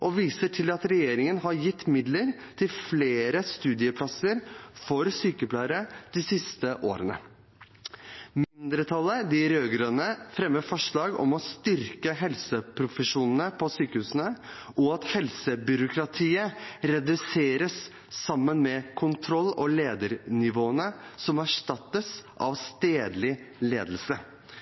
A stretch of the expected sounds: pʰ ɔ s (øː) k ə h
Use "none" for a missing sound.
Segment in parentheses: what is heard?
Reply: yː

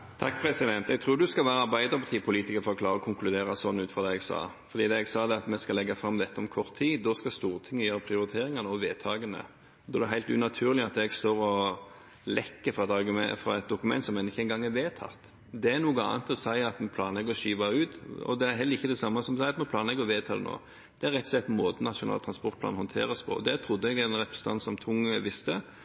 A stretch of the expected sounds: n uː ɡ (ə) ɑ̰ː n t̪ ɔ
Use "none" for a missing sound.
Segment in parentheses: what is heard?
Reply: ə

